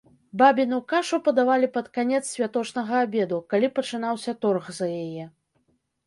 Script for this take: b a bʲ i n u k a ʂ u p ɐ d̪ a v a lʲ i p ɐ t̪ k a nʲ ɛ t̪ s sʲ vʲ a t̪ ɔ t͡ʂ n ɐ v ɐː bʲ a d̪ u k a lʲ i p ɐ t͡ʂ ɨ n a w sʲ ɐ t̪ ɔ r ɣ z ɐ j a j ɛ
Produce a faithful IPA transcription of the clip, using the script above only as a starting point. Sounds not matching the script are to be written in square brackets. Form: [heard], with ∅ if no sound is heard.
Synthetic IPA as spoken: b a bʲ i n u k a ʂ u p ɐ d̪ a v a lʲ i p ɐ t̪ k a nʲ ɛ t̪ s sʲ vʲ a t̪ ɔ t͡ʂ n ɐ [ɣ] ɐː bʲ [ɛ] d̪ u k a lʲ i p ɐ t͡ʂ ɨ n a w sʲ ɐ t̪ ɔ r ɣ z ɐ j a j ɛ